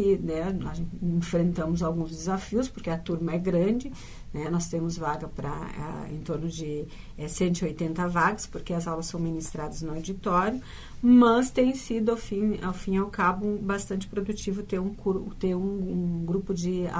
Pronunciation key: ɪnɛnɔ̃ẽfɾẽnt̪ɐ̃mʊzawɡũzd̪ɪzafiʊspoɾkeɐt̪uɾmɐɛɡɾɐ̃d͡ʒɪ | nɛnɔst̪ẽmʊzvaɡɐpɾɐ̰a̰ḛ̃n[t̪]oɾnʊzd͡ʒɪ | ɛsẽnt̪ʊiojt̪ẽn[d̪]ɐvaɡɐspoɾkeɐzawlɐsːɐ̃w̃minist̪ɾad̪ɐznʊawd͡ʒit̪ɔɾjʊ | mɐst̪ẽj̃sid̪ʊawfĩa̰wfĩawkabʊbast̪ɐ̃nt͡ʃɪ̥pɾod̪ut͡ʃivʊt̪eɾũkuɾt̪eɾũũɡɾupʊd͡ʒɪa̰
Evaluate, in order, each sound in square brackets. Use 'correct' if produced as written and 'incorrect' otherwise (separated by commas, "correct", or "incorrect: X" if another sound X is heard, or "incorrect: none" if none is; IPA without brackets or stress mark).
correct, incorrect: t̪